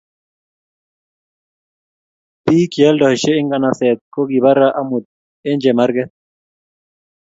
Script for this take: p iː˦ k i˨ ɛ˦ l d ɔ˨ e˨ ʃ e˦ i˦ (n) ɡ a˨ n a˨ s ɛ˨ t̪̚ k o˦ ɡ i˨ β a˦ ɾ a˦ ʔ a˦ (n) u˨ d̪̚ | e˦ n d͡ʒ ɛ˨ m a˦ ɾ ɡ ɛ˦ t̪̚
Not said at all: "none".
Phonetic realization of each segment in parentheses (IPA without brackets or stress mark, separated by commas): ŋ, m